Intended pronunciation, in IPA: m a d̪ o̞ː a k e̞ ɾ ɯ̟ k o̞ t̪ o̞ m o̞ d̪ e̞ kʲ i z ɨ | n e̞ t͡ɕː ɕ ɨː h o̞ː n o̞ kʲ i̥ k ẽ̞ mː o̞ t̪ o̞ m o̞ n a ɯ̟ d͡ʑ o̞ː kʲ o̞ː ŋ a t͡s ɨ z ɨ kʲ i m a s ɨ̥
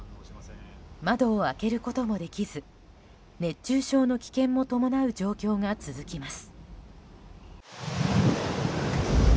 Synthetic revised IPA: m a d̪ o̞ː a k e̞ ɾ ɯ̟ k o̞ t̪ o̞ m o̞ d̪ e̞ kʲ i z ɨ | n e̞ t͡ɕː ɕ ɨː ɕ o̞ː n o̞ kʲ i̥ k ẽ̞ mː o̞ t̪ o̞ m o̞ n a ɯ̟ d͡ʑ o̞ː kʲ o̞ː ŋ a t͡s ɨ z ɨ kʲ i m a s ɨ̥